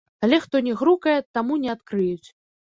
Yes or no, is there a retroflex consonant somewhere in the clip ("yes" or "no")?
no